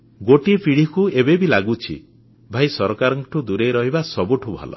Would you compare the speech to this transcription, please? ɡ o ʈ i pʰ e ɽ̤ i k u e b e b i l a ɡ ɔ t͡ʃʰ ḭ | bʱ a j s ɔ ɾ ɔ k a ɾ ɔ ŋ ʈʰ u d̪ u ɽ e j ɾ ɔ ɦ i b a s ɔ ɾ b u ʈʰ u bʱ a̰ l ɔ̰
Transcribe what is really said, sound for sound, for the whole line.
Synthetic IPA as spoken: ɡ o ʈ i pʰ i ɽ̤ i k u e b e b i l a ɡ u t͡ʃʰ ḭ | bʱ a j s ɔ ɾ ɔ k a ɾ ɔ ŋ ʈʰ u d̪ u ɾ e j ɾ ɔ ɦ i b a s ɔ b u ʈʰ u bʱ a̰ l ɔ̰